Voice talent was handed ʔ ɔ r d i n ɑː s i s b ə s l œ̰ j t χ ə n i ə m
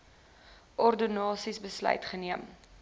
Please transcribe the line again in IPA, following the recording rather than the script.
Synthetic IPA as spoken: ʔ ɔ r d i n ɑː s i s b ə s l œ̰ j t χ ə n i ə m

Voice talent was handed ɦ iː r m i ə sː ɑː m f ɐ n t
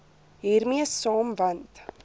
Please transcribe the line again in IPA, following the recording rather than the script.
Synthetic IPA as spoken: ɦ iː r m i ə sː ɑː m v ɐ n t

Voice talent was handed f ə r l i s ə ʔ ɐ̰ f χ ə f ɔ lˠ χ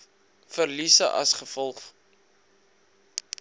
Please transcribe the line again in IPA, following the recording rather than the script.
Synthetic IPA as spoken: f ə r l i s ə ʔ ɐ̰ s χ ə f ɔ lˠ χ

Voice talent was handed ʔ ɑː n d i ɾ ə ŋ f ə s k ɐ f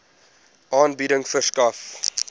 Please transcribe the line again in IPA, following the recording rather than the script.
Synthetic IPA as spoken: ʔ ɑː n b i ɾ ə ŋ f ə s k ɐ f

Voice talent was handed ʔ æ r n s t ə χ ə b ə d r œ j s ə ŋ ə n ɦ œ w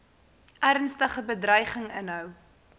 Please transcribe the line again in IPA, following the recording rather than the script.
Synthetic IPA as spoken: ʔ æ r n s t ə χ ə b ə d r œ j χ ə ŋ ə n ɦ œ w

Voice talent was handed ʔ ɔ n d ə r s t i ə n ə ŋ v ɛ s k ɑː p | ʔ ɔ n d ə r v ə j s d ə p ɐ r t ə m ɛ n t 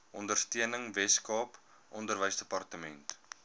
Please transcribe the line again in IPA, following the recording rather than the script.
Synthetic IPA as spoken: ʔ ɔ n d ə r s t i ə n ə ŋ v ɛ s k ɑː p | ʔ ɔ n d ə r v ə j s d ə p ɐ r t ə m ɛ n t

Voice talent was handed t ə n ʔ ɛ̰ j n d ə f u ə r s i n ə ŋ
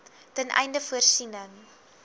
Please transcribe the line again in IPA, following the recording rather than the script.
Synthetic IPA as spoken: t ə n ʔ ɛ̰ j n d ə f u ə r s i n ə ŋ

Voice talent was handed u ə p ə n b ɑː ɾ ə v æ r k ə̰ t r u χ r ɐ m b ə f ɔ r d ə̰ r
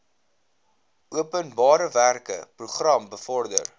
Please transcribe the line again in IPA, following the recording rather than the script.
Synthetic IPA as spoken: u ə p ə n b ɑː ɾ ə v æ r k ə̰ p r u χ r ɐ m b ə f ɔ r d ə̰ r

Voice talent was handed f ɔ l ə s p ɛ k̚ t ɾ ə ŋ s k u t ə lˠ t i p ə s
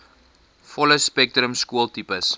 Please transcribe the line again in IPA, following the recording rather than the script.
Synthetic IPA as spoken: f ɔ l ə s p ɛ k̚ t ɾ ə m s k u ə lˠ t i p ə s

